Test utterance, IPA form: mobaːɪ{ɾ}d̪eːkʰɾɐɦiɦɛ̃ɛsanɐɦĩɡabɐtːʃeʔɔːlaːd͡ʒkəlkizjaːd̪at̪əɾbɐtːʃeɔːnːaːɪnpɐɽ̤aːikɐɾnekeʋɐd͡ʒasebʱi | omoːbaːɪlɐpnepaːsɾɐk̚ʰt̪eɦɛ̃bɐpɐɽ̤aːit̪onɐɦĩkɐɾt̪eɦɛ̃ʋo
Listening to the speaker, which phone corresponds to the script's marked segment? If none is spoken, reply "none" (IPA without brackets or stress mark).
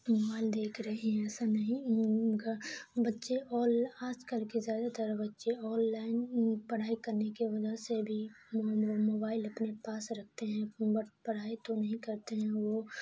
l